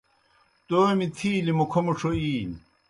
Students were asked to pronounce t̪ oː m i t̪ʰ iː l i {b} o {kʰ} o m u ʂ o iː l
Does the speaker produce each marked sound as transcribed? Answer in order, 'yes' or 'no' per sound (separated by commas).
no, yes